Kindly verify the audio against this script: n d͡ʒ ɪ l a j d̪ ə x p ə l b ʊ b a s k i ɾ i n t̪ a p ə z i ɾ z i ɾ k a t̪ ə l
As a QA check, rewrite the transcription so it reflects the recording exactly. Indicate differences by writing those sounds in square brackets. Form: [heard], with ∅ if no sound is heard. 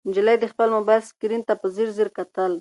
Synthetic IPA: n d͡ʒ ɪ l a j d̪ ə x p ə l [m] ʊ b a s k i ɾ i n t̪ a p ə z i ɾ z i ɾ k a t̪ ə l